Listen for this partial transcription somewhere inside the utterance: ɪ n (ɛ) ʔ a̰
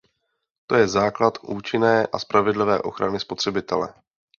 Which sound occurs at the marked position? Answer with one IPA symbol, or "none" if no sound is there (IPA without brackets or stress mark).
ɛː